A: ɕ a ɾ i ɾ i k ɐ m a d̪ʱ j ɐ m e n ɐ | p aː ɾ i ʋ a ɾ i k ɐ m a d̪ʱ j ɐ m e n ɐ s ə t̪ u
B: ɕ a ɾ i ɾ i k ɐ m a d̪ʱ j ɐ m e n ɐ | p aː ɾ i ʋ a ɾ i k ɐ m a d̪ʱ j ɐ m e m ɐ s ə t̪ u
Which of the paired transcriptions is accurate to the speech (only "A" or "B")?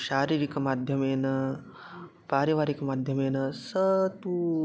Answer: A